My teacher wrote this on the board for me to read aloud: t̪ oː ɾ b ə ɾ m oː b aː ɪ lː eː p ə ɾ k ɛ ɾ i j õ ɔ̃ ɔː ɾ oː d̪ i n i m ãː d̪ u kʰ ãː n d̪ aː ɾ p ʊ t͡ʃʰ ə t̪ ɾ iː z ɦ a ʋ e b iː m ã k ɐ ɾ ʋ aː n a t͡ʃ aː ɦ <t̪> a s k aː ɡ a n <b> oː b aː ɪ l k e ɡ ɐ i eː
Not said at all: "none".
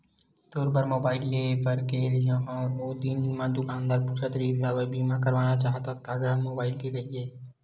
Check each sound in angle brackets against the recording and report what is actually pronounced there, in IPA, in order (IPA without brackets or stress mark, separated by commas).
t̪, m